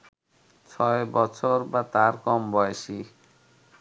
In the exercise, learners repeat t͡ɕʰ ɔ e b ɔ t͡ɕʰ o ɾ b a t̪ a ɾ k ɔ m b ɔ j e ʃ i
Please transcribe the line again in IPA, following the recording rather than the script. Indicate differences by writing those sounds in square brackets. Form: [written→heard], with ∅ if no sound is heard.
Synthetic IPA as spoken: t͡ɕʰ ɔ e b ɔ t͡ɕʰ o ɾ b a t̪ a ɾ k ɔ m b ɔ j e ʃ i